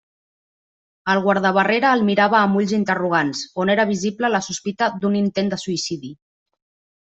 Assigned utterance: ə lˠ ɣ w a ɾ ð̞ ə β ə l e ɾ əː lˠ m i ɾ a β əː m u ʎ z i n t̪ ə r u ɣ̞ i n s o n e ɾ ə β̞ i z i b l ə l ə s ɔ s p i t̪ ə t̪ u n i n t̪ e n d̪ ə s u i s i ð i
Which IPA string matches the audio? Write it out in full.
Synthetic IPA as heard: ə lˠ ɣ w a ɾ ð̞ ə β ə r e ɾ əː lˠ m i ɾ a β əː m u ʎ z i n t̪ ə r u ɣ̞ a n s o n e ɾ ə β̞ i z i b l ə l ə s u s p i t̪ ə d̪ u n i n t̪ e n d̪ ə s u i s i ð i